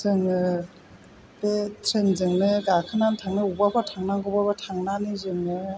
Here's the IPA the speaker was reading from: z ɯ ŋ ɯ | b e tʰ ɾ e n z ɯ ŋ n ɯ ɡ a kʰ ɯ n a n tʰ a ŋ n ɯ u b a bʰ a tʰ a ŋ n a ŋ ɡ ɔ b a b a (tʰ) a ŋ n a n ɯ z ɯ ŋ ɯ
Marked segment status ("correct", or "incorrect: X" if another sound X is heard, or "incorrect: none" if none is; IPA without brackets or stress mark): correct